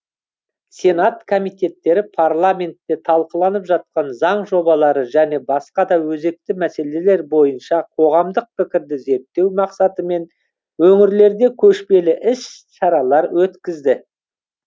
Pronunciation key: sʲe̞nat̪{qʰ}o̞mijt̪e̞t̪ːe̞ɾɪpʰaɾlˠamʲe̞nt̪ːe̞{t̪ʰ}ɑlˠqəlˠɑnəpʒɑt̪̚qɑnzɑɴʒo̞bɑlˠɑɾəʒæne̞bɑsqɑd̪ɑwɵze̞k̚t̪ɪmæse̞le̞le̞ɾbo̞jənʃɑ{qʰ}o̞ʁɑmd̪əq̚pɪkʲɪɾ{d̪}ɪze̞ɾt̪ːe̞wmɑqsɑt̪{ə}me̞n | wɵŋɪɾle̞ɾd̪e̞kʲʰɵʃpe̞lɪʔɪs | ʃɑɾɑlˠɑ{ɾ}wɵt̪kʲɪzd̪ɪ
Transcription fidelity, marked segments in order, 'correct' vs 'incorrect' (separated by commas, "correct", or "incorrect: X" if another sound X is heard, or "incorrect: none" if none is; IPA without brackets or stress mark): incorrect: kʰ, correct, correct, correct, correct, correct